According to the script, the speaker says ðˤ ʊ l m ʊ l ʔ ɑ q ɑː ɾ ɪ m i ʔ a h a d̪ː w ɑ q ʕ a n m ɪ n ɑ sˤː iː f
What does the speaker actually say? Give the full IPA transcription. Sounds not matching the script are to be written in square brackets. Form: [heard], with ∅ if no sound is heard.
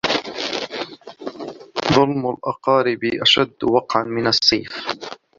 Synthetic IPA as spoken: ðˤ ʊ l m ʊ l ʔ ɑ q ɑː ɾ ɪ [b] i ʔ a [ʃ] a d̪ː w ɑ q ʕ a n m ɪ n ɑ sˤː iː f